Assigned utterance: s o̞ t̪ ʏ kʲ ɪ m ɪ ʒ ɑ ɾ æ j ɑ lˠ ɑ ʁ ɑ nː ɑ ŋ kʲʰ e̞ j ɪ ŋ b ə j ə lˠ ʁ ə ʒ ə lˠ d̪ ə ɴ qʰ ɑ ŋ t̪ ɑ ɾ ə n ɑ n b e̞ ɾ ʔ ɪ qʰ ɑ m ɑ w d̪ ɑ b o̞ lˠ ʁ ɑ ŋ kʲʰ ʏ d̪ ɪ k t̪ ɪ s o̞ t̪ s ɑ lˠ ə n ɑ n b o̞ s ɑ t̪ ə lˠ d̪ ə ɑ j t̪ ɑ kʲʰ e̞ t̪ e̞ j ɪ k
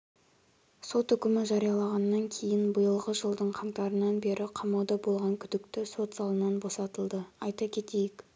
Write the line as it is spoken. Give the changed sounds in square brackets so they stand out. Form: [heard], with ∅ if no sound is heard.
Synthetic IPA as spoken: s o̞ t̪ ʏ kʲ ɪ m ɪ ʒ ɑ ɾ [i] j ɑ lˠ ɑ ʁ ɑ nː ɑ ŋ kʲʰ e̞ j ɪ [n] b ə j ə lˠ ʁ ə ʒ ə lˠ d̪ ə ɴ qʰ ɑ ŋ t̪ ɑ ɾ ə n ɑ n b e̞ ɾ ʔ ɪ qʰ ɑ m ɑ w d̪ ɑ b o̞ lˠ ʁ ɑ ŋ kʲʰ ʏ d̪ ɪ k t̪ ɪ s o̞ t̪ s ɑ lˠ ə n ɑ n b o̞ s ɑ t̪ ə lˠ d̪ ə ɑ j t̪ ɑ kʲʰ e̞ t̪ e̞ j ɪ k

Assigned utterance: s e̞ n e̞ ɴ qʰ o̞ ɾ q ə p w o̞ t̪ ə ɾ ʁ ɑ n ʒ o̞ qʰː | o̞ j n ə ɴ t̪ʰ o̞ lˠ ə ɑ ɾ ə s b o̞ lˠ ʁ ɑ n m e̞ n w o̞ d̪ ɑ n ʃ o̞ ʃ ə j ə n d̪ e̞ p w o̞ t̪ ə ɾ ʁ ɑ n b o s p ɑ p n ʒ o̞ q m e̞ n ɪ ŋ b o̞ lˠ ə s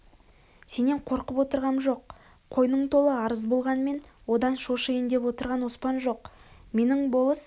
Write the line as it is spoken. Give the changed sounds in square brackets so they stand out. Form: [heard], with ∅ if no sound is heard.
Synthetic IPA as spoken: s e̞ n e̞ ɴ qʰ o̞ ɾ q ə p w o̞ t̪ ə ɾ ʁ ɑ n ʒ o̞ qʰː | o̞ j n ə ɴ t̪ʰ o̞ lˠ ə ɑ ɾ ə [z] b o̞ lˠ ʁ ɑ n m e̞ n w o̞ d̪ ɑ n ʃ o̞ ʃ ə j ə n d̪ e̞ p w o̞ t̪ ə ɾ ʁ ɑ n [w] o s p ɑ [∅] n ʒ o̞ q m e̞ n ɪ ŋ b o̞ lˠ ə s

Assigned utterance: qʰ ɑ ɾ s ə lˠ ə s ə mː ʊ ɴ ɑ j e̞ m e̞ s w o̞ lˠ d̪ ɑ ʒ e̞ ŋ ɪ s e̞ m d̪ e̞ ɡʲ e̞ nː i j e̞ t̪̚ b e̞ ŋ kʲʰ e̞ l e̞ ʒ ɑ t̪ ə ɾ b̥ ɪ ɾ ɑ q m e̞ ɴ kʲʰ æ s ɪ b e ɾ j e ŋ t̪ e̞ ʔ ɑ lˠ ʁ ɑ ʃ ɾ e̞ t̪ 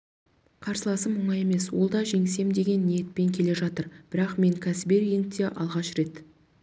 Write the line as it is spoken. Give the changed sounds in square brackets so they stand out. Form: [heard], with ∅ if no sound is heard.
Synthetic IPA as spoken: qʰ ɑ ɾ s ə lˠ [ɑ] s ə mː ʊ ɴ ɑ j e̞ m e̞ s w o̞ lˠ d̪ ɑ ʒ e̞ ŋ ɪ s e̞ m d̪ e̞ ɡʲ e̞ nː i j e̞ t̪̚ [p] e̞ ŋ kʲʰ e̞ l e̞ ʒ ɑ t̪ ə ɾ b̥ ɪ ɾ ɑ q m e̞ [ŋ] kʲʰ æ s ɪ b e ɾ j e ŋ t̪ e̞ ʔ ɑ lˠ ʁ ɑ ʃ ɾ e̞ t̪

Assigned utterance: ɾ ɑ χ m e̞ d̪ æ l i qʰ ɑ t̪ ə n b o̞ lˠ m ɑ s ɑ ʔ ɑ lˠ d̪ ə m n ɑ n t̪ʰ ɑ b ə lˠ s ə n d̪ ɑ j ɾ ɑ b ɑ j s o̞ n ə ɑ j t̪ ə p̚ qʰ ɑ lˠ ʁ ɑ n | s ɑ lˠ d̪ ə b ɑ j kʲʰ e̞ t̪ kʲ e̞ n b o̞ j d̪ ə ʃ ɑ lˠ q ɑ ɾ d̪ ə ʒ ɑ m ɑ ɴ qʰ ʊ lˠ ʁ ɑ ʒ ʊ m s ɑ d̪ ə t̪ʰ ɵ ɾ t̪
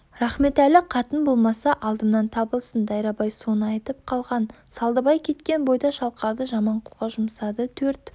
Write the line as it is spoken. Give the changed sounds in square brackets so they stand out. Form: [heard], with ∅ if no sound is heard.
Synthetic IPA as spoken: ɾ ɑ χ m e̞ [t̪] æ l [ɪ] qʰ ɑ t̪ ə n b o̞ lˠ m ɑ s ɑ ʔ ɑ lˠ d̪ ə m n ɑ n t̪ʰ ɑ b ə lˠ s ə n d̪ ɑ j ɾ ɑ b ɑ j s o̞ n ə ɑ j t̪ ə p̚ qʰ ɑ lˠ ʁ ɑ n | s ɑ lˠ d̪ ə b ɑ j kʲʰ e̞ t̪ kʲ e̞ n b o̞ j d̪ [ɑ] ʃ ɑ lˠ q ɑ ɾ d̪ ə ʒ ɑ m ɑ ɴ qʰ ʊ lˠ ʁ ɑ ʒ ʊ m s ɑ d̪ ə t̪ʰ ɵ ɾ t̪

